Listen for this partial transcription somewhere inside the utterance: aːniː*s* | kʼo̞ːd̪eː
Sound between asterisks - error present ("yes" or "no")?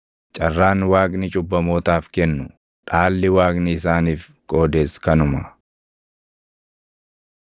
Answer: yes